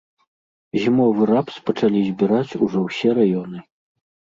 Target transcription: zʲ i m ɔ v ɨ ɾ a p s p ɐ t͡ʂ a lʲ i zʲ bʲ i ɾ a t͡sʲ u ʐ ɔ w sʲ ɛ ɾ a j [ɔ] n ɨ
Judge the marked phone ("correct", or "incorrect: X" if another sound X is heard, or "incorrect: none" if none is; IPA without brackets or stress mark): correct